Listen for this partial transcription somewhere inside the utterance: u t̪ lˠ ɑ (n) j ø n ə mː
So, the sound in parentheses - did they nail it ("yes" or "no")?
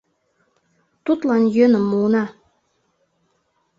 yes